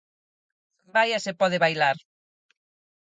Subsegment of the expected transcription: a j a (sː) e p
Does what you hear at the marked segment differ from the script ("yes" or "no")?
yes